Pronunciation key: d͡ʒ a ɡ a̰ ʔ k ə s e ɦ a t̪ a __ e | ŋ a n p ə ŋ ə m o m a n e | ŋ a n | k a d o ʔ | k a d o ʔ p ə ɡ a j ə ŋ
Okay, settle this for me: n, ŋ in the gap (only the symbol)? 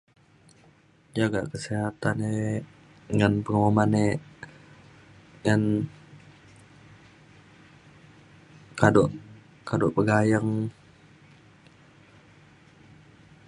n